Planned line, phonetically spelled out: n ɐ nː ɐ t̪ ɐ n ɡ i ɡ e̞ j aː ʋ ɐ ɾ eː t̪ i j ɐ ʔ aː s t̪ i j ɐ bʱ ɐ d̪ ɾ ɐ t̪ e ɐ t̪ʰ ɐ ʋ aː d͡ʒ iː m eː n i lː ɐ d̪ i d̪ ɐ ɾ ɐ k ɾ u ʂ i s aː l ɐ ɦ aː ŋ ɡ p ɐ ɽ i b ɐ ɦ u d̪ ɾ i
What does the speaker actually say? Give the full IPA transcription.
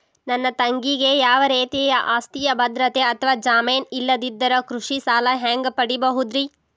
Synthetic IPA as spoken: n ɐ nː ɐ t̪ ɐ ŋ ɡ i ɡ e̞ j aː ʋ ɐ ɾ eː t̪ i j ɐ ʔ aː s t̪ i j ɐ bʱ ɐ d̪ ɾ ɐ t̪ e ɐ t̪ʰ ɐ ʋ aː d͡ʒ aː m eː n i lː ɐ d̪ i d̪ː ɐ ɾ ɐ k ɾ u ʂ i s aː l ɐ ɦ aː ŋ ɡ p ɐ ɽ i b ɐ ɦ u d̪ ɾ i